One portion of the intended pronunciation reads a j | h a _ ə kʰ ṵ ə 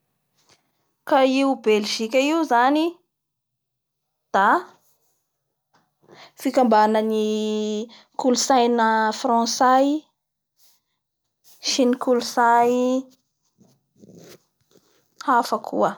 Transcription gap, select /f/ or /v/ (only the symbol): f